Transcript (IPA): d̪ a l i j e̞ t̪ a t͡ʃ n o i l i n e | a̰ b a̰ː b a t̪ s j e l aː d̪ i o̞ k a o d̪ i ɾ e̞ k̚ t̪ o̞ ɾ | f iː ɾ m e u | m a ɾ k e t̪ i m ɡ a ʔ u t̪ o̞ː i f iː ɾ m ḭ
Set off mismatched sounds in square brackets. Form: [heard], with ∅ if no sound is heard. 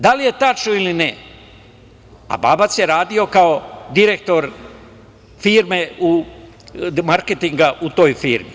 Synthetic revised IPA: d̪ a l i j e̞ t̪ a t͡ʃ n o i l i n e | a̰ b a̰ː b a t̪ s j e [ɾ] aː d̪ i o̞ k a o d̪ i ɾ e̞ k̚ t̪ o̞ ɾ | f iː ɾ m e u | m a ɾ k e t̪ i [ŋ] ɡ a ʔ u t̪ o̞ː [j] f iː ɾ m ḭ